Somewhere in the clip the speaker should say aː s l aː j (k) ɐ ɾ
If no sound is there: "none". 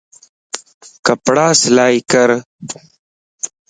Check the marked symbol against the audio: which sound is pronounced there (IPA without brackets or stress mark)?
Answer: k